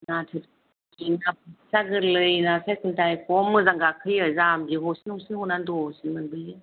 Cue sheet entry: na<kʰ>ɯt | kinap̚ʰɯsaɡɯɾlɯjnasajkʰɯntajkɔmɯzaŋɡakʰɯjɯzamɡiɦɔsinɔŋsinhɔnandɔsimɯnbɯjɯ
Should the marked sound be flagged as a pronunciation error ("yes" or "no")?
yes